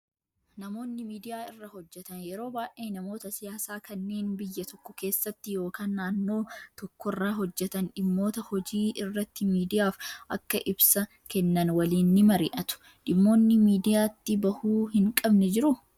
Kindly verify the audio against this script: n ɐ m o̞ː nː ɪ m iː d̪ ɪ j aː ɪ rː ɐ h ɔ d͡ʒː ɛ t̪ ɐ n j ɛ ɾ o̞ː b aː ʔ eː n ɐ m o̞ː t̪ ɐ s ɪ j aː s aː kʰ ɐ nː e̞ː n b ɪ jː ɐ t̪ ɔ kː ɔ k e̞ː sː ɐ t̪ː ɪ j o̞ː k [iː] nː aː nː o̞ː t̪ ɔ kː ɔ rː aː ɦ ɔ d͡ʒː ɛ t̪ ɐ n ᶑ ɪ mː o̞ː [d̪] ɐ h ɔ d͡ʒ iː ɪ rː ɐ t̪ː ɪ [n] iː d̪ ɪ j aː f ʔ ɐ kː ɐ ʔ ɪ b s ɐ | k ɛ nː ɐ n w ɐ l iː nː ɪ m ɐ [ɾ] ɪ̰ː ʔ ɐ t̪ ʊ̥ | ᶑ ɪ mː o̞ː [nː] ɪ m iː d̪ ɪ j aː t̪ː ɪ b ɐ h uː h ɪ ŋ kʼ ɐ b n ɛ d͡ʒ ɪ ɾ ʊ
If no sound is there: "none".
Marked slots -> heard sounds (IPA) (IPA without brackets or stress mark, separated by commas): aː, t̪, m, ɾ, nː